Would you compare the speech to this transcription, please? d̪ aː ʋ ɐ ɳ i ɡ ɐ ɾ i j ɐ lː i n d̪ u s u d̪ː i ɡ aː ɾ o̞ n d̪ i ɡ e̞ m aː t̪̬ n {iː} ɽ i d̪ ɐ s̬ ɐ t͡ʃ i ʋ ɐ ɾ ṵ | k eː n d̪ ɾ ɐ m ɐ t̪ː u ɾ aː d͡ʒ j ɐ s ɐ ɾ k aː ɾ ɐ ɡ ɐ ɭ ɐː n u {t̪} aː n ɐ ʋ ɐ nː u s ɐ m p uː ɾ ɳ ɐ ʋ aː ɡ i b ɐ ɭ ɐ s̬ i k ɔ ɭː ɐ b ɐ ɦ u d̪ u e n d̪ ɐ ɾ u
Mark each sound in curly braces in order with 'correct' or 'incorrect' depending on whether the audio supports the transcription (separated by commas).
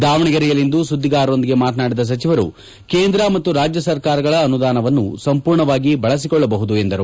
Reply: incorrect, incorrect